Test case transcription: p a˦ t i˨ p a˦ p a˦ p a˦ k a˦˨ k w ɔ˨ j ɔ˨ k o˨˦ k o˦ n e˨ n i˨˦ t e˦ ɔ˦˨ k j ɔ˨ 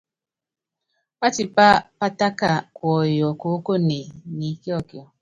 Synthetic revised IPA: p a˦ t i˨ p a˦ p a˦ t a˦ k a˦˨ k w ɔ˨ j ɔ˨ k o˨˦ k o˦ n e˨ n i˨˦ k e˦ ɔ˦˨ k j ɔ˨